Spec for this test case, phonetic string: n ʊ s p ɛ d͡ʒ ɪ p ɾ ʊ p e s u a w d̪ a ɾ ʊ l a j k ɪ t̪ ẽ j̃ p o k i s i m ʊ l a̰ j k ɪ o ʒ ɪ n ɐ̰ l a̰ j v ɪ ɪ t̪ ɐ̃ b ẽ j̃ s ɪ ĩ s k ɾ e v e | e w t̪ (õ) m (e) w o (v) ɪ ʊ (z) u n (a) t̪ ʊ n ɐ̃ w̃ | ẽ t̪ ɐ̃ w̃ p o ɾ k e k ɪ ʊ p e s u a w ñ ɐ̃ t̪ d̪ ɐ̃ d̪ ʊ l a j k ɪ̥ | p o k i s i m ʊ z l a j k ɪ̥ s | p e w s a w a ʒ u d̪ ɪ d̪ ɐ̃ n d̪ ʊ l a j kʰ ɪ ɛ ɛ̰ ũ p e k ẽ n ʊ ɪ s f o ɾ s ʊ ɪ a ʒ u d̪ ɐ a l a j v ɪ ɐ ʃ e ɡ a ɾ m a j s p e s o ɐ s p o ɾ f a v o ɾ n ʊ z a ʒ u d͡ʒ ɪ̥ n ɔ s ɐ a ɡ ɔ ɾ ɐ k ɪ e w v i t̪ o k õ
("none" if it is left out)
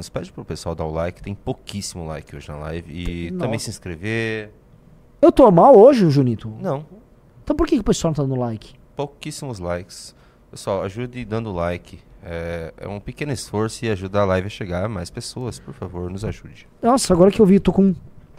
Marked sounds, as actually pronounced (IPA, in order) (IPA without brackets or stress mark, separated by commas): o, a, ʒ, ʒ, i